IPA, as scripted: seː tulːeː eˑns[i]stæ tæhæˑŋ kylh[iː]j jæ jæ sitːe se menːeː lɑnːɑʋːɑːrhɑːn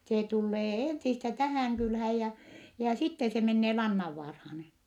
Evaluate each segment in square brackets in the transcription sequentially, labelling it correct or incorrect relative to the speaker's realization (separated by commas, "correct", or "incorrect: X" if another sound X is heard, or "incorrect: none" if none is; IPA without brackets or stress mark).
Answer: correct, incorrect: æː